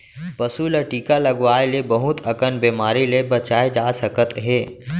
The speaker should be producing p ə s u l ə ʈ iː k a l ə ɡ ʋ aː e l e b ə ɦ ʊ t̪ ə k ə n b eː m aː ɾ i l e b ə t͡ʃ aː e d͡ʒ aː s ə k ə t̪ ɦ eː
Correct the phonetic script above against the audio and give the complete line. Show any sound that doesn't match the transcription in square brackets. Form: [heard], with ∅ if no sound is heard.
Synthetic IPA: p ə s u l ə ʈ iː k a l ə ɡ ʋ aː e l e b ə ɦ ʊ t̪ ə k ə n b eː m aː ɾ i l e b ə t͡ʃ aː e d͡ʒ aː s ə k ə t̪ ɦ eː

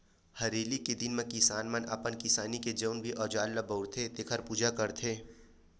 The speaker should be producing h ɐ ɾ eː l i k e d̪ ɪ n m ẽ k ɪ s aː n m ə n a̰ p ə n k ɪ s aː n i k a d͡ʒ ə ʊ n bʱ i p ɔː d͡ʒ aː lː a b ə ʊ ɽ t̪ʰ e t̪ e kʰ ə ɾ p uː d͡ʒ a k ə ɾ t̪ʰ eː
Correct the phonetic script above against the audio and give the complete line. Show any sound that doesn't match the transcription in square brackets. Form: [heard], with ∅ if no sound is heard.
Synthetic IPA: h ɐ ɾ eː l i k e d̪ ɪ n m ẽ k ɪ s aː n m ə n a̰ p ə n k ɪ s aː n i k [e] d͡ʒ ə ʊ n bʱ i [ʔ] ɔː d͡ʒ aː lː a b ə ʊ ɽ t̪ʰ e t̪ e kʰ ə ɾ p uː d͡ʒ a k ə ɾ t̪ʰ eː

